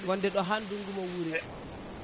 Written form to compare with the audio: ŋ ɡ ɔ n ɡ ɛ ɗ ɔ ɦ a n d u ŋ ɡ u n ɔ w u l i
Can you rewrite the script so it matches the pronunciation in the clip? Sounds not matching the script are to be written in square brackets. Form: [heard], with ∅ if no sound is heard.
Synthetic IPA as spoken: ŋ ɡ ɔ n [d] ɛ ɗ ɔ ɦ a n d u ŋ ɡ u [m] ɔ w u [ɾ] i